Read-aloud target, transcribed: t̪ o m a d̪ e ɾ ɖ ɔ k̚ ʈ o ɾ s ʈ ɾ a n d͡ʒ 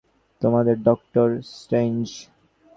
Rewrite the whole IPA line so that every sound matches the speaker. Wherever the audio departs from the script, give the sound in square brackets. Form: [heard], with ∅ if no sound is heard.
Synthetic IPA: t̪ o m a d̪ e ɾ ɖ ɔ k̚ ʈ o ɾ s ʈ ɾ [e] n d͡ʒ